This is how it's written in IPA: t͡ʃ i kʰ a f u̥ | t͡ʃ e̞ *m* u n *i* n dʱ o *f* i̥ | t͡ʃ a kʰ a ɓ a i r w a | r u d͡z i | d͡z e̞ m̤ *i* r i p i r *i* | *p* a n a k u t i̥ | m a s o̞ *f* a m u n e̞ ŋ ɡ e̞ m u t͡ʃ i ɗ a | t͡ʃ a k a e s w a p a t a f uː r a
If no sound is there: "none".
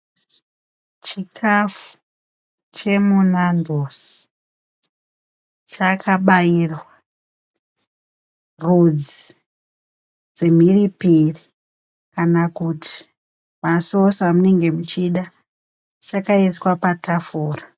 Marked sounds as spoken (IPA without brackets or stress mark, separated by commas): m, a, s, i, i, k, s